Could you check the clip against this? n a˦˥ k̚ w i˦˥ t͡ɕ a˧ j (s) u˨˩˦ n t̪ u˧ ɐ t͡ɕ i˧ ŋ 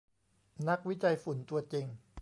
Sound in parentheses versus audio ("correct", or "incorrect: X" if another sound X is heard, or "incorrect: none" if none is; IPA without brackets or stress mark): incorrect: f